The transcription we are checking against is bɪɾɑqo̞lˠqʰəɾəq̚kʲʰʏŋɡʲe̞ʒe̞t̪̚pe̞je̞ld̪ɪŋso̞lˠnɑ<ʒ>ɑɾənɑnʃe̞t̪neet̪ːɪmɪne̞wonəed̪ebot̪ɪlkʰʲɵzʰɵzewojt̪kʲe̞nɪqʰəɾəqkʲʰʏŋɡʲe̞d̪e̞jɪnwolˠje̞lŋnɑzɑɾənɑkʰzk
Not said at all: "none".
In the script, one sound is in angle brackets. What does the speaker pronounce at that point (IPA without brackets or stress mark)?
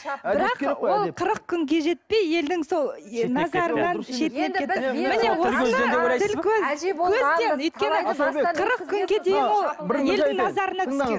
z